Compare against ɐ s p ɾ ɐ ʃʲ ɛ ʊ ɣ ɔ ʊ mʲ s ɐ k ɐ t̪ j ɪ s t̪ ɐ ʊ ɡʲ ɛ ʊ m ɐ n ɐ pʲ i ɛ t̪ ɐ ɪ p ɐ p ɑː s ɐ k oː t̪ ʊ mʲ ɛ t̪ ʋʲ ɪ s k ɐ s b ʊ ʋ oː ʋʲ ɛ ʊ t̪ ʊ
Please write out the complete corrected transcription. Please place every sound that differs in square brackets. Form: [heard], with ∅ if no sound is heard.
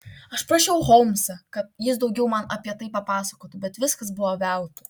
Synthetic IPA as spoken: ɐ [ʃ] p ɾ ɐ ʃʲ ɛ ʊ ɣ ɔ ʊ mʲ s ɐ k ɐ t̪ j ɪ s [d̪] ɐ ʊ ɡʲ ɛ ʊ m ɐ n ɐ pʲ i ɛ t̪ ɐ ɪ p ɐ p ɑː s ɐ k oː t̪ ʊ [bʲ] ɛ t̪ ʋʲ ɪ s k ɐ s b ʊ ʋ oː ʋʲ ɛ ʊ t̪ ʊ